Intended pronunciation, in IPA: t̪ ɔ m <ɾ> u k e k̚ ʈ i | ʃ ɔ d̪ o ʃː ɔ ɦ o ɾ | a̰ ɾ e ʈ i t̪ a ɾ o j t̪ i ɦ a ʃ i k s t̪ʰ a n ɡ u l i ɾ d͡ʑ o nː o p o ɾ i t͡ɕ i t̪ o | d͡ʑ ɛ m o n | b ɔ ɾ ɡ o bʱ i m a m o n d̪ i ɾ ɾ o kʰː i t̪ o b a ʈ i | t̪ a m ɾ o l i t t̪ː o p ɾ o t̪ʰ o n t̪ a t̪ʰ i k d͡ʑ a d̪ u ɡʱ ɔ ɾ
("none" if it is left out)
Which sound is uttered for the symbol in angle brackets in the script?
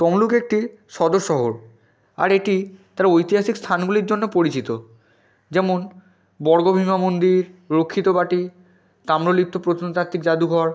l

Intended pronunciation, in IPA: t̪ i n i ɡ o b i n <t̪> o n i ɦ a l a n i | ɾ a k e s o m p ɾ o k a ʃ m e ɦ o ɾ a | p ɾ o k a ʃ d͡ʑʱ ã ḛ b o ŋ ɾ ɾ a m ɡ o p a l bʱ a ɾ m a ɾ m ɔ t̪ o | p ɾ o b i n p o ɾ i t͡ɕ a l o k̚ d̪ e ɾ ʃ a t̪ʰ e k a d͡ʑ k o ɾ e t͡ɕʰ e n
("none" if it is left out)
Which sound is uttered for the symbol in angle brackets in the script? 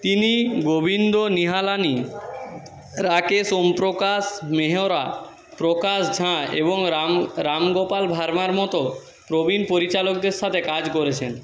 d̪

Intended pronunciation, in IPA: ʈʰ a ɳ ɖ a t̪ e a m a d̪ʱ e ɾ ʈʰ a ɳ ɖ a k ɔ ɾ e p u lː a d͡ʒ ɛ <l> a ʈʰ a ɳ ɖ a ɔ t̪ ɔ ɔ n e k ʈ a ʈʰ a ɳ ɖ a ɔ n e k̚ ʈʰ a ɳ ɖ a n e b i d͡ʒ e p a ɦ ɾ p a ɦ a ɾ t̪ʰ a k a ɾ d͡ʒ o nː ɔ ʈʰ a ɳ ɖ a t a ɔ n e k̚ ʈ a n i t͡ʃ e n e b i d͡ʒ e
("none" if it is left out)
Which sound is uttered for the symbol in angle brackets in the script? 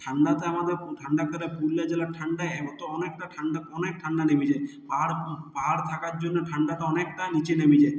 l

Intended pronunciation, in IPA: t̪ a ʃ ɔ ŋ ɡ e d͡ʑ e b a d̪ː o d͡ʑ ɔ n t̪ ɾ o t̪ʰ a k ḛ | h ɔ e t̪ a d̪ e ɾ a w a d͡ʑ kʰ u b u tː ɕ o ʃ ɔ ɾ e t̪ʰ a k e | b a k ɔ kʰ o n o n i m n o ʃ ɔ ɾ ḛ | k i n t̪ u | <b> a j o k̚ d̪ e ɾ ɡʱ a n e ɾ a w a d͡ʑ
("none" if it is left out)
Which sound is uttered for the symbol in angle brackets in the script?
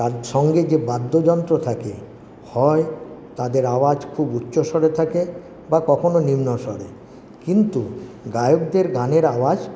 ɡ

